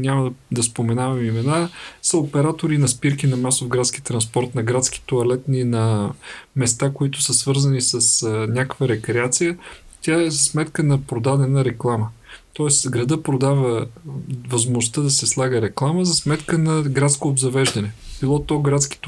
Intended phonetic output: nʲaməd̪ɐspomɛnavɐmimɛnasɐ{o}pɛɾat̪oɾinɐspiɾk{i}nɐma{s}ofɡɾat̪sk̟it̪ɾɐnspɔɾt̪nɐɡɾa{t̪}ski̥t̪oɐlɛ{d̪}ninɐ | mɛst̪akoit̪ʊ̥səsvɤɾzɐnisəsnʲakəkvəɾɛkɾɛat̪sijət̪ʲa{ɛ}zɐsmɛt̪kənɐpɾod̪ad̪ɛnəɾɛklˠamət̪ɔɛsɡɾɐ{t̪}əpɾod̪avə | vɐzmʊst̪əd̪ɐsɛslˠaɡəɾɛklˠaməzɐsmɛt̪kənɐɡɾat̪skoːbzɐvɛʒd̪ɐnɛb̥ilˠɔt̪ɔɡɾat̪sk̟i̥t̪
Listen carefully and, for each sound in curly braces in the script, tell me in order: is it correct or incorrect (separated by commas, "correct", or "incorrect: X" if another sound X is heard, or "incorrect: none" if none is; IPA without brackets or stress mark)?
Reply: correct, correct, correct, correct, incorrect: t̪, correct, incorrect: d̪